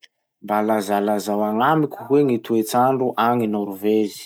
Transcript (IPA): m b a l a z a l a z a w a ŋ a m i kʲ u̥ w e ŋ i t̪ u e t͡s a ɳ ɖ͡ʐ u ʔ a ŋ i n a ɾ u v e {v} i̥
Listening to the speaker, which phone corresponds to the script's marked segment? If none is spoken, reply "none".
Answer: z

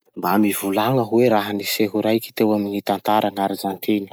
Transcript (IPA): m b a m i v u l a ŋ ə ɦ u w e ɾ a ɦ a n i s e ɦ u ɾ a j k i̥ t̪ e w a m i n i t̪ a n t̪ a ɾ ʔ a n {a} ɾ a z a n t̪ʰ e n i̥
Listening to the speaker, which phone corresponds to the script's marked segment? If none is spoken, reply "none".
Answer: a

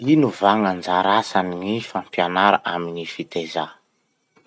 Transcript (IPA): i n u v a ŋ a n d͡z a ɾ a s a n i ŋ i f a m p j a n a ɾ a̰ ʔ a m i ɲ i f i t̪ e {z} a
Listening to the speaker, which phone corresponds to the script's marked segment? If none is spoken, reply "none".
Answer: z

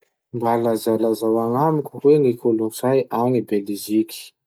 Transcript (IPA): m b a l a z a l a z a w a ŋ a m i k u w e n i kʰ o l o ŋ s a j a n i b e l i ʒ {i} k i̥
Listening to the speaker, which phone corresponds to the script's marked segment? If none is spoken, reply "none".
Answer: i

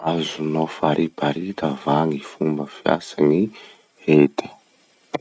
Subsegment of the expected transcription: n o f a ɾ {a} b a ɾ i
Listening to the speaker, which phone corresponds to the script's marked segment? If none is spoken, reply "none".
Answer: i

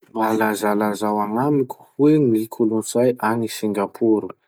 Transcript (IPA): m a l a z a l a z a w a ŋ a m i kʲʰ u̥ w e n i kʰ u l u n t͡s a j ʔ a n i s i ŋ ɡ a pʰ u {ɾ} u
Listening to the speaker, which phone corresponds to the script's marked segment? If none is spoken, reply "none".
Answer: ɾ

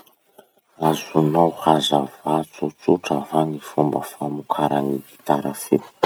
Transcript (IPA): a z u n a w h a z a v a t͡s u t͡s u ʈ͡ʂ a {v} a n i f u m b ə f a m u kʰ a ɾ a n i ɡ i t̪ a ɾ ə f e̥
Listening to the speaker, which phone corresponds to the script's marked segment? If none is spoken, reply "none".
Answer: v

